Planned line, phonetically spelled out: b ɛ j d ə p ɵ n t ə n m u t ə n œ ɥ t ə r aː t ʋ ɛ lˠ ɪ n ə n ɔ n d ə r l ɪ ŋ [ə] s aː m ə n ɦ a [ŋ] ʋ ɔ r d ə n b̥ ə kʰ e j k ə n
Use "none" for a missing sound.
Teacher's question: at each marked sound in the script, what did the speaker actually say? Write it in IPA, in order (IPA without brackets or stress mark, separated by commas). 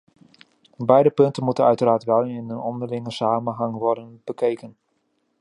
ə, ŋ